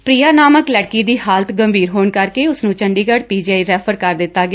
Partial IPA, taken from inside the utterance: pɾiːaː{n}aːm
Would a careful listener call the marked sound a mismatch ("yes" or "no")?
no